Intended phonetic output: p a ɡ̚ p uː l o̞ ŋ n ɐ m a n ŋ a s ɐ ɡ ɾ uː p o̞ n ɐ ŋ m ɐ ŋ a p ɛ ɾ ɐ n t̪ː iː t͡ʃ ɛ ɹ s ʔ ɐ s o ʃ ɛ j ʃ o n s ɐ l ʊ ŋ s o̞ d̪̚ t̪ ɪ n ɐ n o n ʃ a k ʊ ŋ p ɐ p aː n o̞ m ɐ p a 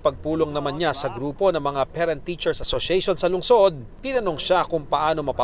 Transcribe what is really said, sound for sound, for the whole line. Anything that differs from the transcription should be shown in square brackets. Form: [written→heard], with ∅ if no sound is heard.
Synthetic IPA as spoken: p [a→ɐ] ɡ̚ p uː l o̞ ŋ n ɐ m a n [ŋ→ɲ] a s ɐ ɡ ɾ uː p o̞ n ɐ ŋ m ɐ ŋ a p ɛ ɾ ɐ n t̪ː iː t͡ʃ ɛ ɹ s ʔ ɐ s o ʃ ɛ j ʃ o n s ɐ l ʊ ŋ s o̞ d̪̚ t̪ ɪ n ɐ n o [n→ŋ] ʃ a k ʊ ŋ p ɐ [p→ʔ] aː n o̞ m ɐ p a